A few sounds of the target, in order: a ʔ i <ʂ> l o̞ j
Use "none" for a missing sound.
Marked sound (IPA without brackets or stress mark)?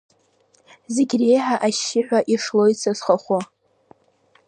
ʂ